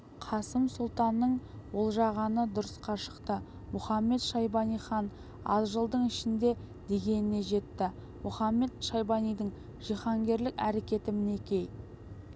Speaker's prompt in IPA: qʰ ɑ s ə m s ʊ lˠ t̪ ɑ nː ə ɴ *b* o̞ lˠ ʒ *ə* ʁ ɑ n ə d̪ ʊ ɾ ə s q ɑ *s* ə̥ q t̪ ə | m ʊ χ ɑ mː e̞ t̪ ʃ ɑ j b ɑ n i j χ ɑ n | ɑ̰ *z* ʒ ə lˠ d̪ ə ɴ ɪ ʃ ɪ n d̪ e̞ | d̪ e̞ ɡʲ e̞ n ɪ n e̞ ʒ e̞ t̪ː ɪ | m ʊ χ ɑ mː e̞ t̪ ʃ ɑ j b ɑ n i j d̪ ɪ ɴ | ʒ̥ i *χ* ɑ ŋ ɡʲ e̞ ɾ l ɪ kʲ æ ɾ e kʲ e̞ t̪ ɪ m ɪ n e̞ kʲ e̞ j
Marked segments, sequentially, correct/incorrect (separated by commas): incorrect, incorrect, incorrect, correct, correct